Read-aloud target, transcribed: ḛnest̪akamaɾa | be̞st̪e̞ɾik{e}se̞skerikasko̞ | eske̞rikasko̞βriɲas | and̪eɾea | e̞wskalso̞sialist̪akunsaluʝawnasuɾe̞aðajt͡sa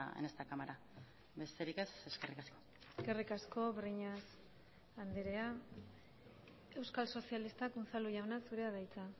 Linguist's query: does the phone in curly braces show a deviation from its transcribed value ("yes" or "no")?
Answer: no